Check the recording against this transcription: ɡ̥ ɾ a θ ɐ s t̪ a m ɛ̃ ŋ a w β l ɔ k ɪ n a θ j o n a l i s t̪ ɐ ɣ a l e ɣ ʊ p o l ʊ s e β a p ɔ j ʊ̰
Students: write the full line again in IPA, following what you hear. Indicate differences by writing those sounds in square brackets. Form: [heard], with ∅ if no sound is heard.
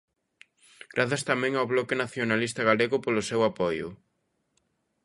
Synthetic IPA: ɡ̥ ɾ a θ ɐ s t̪ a m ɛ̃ ŋ a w β l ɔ k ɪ n a θ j o n a l i s t̪ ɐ ɣ a l e ɣ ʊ p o l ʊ s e [w] a p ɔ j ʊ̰